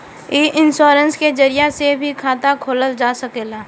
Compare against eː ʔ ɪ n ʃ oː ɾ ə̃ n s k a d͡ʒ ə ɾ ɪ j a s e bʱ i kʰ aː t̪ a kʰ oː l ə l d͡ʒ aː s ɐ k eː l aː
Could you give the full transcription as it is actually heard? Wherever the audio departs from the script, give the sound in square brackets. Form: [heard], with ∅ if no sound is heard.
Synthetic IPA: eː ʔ ɪ n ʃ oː ɾ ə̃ n s k [e] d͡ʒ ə ɾ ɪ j a s e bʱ i kʰ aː t̪ a kʰ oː l ə l d͡ʒ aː s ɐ k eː l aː